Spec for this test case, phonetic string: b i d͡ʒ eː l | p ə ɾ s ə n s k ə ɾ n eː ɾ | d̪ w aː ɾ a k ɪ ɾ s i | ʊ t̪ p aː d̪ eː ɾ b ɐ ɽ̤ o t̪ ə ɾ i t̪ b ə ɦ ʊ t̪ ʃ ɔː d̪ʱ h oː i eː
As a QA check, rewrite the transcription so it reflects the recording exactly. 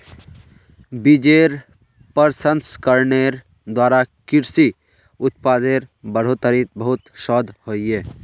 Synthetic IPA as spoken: b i d͡ʒ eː ɾ | p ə ɾ s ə n s k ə ɾ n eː ɾ | d̪ w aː ɾ a k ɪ ɾ s i | ʊ t̪ p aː d̪ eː ɾ b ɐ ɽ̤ o t̪ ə ɾ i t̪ b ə ɦ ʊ t̪ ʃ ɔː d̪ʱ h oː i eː